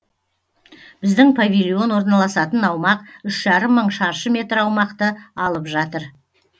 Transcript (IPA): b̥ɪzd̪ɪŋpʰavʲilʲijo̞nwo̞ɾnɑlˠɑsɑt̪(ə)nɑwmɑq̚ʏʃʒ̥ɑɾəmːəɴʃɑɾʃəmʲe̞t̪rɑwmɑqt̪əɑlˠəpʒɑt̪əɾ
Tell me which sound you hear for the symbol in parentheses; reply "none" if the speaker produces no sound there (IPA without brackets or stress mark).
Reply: ə